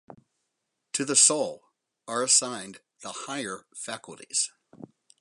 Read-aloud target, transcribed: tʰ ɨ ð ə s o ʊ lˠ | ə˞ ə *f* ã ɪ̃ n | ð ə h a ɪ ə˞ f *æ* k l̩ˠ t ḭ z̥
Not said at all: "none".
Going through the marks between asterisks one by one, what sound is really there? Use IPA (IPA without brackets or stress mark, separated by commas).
s, æ